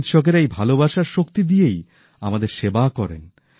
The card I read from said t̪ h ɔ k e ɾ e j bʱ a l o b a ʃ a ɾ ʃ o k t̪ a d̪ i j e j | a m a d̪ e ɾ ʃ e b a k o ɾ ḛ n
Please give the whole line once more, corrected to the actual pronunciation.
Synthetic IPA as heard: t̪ ʃ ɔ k e ɾ e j bʱ a l o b a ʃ a ɾ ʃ o k t̪ i d̪ i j e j | a m a d̪ e ɾ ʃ e b a k ɔ ɾ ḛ n